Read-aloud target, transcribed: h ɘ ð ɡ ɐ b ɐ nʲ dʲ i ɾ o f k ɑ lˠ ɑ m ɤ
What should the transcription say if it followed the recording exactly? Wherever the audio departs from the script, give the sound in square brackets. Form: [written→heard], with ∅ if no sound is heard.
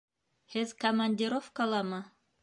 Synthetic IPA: h ɘ ð [ɡ→k] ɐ [b→m] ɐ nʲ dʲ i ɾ o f k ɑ lˠ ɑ m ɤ